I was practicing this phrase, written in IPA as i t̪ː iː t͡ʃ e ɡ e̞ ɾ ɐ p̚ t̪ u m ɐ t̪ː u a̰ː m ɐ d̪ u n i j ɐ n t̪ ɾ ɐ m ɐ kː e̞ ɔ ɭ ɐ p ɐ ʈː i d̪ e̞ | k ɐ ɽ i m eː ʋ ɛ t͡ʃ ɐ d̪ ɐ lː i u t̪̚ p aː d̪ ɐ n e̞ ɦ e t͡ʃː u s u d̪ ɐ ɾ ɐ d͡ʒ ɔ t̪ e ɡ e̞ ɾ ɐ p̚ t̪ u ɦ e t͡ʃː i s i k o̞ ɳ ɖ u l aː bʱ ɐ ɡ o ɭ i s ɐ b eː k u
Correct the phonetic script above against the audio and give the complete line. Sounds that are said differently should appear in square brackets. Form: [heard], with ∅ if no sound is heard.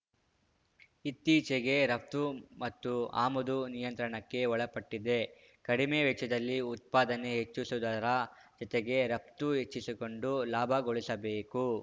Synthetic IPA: i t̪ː iː t͡ʃ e ɡ e̞ ɾ ɐ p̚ t̪ u m ɐ t̪ː u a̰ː m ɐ d̪ u n i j ɐ n t̪ ɾ ɐ [ɳ] ɐ kː e̞ ɔ ɭ ɐ p ɐ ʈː i d̪ e̞ | k ɐ ɽ i m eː ʋ ɛ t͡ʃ ɐ d̪ ɐ lː i u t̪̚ p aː d̪ ɐ n e̞ ɦ e t͡ʃː u s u d̪ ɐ ɾ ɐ d͡ʒ ɔ t̪ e ɡ e̞ ɾ ɐ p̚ t̪ u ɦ e t͡ʃː i s i k o̞ ɳ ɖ u l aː bʱ ɐ ɡ o ɭ i s ɐ b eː k u